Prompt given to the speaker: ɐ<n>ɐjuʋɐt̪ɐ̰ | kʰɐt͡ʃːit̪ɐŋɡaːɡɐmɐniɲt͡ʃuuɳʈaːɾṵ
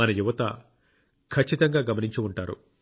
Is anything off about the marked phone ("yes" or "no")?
no